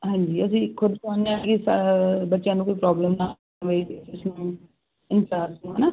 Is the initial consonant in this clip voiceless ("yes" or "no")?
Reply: no